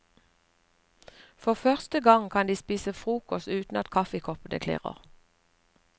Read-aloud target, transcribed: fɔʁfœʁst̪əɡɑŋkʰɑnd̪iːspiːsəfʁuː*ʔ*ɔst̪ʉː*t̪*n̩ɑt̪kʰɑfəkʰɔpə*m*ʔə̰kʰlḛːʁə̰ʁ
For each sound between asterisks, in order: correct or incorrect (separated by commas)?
incorrect, correct, incorrect